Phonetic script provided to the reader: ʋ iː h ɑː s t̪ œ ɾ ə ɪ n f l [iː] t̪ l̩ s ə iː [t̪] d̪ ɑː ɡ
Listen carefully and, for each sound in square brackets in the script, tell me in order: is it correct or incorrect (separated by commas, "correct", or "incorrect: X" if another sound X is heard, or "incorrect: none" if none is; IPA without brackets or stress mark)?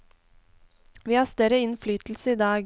incorrect: yː, incorrect: none